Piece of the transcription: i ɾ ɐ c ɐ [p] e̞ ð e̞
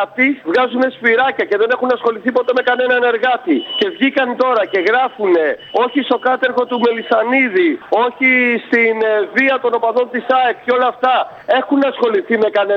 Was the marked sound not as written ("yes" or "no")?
yes